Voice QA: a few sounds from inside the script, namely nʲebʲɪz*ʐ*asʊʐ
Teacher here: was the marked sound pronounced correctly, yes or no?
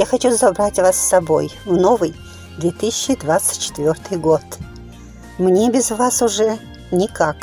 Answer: no